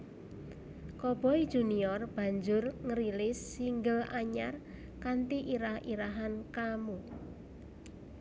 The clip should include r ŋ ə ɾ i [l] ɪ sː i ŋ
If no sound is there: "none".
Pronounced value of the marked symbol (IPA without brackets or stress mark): l